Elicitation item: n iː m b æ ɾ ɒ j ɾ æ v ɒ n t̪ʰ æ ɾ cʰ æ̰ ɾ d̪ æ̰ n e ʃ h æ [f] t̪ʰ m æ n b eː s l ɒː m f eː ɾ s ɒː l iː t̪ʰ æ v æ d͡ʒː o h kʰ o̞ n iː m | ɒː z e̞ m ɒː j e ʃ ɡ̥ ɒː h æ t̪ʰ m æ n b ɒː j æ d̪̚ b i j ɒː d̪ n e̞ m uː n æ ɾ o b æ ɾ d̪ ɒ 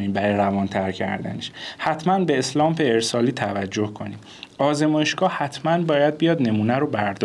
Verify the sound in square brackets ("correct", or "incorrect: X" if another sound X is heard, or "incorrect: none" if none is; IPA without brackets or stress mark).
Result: incorrect: none